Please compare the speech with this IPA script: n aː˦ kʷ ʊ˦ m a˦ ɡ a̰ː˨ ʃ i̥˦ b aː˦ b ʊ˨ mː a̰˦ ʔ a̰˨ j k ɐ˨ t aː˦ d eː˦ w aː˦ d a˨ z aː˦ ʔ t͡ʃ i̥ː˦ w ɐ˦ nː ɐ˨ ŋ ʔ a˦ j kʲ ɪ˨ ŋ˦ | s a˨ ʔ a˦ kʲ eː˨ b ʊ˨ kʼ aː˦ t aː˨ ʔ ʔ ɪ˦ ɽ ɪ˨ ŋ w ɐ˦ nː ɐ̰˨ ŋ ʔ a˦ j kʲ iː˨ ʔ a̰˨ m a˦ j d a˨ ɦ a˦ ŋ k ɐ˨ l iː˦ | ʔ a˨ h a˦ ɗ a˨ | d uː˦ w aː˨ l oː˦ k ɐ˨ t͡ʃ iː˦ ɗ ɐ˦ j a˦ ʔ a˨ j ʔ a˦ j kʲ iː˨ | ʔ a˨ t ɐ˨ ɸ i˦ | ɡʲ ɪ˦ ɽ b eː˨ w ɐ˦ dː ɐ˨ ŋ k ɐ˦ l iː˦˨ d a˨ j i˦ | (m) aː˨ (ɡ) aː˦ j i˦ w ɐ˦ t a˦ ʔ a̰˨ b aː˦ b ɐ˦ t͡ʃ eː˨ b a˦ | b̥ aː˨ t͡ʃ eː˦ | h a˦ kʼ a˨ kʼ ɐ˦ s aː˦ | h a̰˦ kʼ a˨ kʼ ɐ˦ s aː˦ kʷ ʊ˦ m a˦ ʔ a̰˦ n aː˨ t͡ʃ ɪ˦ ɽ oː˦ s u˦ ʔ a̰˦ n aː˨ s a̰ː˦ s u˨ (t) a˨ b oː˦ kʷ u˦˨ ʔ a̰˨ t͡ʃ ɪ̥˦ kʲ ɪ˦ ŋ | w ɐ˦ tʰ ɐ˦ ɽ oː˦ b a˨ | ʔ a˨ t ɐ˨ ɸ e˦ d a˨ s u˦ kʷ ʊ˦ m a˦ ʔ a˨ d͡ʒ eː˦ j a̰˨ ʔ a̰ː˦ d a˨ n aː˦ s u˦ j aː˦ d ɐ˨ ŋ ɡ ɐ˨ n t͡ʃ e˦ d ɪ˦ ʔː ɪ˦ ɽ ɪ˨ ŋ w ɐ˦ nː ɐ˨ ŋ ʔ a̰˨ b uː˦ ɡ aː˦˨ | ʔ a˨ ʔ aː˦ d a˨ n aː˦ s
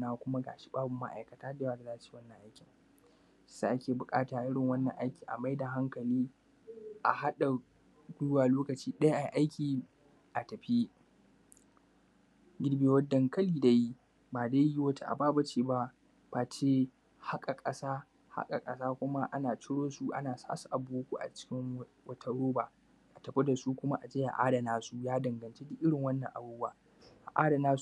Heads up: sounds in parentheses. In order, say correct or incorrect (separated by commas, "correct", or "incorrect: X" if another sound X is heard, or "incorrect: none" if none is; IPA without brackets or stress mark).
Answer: incorrect: b, incorrect: d, incorrect: ʔ